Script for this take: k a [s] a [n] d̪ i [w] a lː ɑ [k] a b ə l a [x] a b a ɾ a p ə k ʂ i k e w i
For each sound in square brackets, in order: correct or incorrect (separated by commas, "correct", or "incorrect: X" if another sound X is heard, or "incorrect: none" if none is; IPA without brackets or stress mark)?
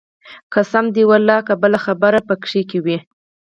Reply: correct, incorrect: m, correct, correct, correct